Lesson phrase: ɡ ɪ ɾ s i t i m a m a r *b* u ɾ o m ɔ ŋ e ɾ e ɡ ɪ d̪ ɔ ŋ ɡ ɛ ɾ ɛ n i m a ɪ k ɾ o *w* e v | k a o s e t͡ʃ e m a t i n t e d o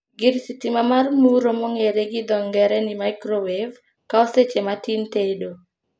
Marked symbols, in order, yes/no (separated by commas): no, yes